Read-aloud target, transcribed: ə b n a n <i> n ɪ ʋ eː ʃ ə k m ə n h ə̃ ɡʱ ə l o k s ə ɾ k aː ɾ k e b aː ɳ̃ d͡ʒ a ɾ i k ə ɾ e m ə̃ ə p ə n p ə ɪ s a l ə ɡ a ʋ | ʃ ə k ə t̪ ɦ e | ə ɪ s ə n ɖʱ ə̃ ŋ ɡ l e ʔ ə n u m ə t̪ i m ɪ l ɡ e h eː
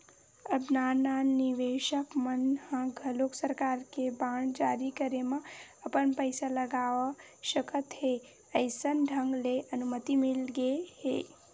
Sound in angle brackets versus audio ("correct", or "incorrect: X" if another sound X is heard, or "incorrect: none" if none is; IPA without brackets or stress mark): incorrect: a